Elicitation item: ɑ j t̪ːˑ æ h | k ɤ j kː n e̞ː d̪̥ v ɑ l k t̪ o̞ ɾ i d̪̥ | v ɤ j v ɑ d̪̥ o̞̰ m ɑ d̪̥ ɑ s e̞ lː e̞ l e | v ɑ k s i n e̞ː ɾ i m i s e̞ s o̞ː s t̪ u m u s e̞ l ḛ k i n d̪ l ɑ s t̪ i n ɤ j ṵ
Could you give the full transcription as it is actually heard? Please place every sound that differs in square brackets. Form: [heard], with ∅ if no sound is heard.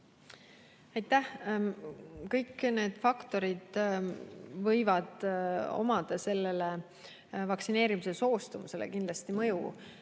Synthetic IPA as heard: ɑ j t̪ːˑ æ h | k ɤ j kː n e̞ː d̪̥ [f] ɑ [∅] k t̪ o̞ ɾ i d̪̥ | v ɤ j v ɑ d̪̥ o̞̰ m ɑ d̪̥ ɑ s e̞ lː e̞ l e | v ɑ k s i n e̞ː ɾ i m i s e̞ s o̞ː s t̪ u m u s e̞ l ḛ k i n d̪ l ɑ s t̪ i [m] ɤ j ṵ